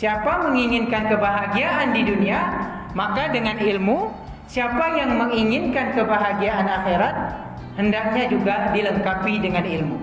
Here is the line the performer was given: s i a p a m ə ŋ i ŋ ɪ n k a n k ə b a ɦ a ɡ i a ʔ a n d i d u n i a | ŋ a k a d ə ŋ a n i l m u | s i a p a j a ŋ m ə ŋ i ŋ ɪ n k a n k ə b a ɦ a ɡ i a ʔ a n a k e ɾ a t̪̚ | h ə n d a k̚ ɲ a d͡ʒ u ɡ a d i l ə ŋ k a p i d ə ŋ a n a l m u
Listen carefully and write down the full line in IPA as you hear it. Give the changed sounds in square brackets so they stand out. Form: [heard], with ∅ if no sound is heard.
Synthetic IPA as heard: s i a p a m ə ŋ i ŋ ɪ n k a n k ə b a ɦ a ɡ i a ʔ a n d i d u n i a | [m] a k a d ə ŋ a n i l m u | s i a p a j a ŋ m ə ŋ i ŋ ɪ n k a n k ə b a ɦ a ɡ i a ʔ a n a [x] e ɾ a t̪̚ | h ə n d a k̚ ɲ a d͡ʒ u ɡ a d i l ə ŋ k a p i d ə ŋ a n [i] l m u